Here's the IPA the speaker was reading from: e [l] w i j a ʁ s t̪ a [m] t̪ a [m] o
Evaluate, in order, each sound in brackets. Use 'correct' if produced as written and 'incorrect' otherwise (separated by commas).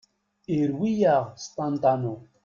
incorrect, incorrect, incorrect